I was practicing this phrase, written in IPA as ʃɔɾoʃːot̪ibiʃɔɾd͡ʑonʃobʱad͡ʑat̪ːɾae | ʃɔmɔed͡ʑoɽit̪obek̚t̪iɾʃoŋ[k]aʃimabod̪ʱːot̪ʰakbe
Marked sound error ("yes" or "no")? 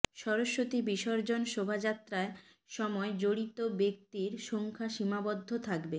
yes